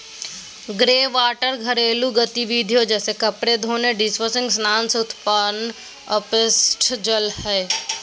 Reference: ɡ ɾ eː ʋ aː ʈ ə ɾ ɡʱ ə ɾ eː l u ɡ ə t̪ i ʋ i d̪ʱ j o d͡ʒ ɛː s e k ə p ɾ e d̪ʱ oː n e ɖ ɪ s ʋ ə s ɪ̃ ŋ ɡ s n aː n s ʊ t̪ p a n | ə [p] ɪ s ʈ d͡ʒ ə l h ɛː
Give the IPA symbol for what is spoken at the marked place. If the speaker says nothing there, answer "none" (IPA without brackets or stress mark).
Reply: p